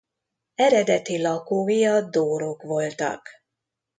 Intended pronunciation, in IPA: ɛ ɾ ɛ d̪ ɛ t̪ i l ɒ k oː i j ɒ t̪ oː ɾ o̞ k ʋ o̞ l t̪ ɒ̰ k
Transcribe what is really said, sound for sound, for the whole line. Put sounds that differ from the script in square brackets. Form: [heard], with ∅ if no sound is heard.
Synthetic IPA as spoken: ɛ ɾ ɛ d̪ ɛ t̪ i l ɒ k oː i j ɒ [d̪] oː ɾ o̞ k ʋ o̞ l t̪ ɒ̰ k

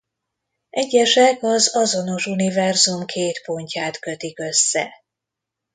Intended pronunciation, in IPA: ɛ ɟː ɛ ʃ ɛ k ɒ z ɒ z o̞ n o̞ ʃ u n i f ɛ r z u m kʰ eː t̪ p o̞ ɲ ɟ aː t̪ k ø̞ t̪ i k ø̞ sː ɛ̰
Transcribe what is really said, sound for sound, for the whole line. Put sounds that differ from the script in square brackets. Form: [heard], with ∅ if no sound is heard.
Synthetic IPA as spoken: ɛ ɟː ɛ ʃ ɛ k ɒ z ɒ z o̞ n o̞ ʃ u n i [v] ɛ r z u m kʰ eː t̪ p o̞ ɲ [c] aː t̪ k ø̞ t̪ i k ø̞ sː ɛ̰

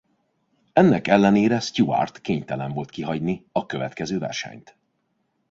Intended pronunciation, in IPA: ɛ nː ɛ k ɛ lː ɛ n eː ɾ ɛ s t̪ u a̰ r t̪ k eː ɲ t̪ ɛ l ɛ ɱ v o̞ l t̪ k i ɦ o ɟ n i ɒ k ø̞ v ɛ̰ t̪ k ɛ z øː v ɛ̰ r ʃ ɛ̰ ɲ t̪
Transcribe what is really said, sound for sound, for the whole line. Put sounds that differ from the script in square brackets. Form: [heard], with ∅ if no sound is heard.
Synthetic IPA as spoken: ɛ nː ɛ k ɛ lː ɛ n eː ɾ ɛ s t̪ u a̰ r t̪ k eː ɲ t̪ ɛ l ɛ ɱ v o̞ l t̪ k i ɦ [ɒ] ɟ n i ɒ k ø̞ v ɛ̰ t̪ k ɛ z øː v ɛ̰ r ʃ ɛ̰ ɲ t̪

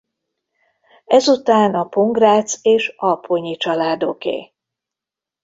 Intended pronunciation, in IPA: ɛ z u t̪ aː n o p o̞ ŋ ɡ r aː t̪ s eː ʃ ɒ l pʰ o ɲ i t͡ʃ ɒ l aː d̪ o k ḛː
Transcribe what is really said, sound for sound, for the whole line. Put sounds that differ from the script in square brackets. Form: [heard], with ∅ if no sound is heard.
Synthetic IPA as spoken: ɛ z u t̪ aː n [ɒ] p o̞ ŋ ɡ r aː t̪ s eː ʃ ɒ l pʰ o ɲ i t͡ʃ ɒ l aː d̪ o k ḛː

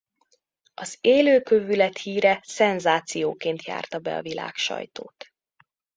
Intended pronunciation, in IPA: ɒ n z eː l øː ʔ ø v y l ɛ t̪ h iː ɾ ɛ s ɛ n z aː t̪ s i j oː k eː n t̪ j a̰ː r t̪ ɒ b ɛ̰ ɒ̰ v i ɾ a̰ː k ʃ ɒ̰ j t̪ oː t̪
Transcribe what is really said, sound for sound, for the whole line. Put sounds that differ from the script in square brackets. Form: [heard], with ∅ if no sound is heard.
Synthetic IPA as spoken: ɒ [∅] z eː l øː [k] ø v y l ɛ t̪ h iː ɾ ɛ s ɛ n z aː t̪ s i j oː k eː n t̪ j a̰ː r t̪ ɒ b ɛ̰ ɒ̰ v i [l] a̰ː k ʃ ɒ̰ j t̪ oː t̪

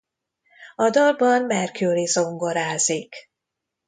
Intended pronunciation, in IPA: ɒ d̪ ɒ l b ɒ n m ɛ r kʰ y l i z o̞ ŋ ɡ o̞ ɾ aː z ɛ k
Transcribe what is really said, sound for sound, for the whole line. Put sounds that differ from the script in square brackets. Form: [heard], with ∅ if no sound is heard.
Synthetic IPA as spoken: ɒ d̪ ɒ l b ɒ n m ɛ r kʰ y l i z o̞ ŋ ɡ o̞ ɾ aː z [i] k

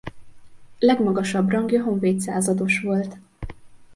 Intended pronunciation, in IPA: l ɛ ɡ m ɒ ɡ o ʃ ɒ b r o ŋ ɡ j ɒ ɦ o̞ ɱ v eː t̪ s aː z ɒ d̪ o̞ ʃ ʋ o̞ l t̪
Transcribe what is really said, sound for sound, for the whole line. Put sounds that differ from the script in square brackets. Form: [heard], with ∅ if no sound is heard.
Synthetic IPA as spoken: l ɛ ɡ m ɒ ɡ [ɒ] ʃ ɒ b r [ɒ] ŋ ɡ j ɒ ɦ o̞ ɱ v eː t̪ s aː z ɒ d̪ o̞ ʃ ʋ o̞ l t̪

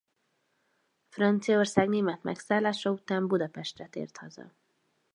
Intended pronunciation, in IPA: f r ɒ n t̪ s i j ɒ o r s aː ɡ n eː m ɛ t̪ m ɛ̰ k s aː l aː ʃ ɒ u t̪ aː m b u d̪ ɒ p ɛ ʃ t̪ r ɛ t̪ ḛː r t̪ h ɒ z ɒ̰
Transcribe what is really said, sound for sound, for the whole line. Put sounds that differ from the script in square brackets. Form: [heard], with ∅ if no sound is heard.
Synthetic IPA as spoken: f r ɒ n t̪ s i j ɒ o r s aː ɡ n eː m ɛ t̪ m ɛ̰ k s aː l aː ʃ ɒ u t̪ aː m b u d̪ ɒ p ɛ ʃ t̪ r ɛ t̪ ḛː r t̪ h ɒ z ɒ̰

